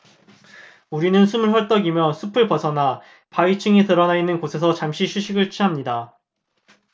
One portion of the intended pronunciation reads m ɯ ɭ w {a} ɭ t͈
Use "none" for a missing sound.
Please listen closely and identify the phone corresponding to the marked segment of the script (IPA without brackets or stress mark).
ʌ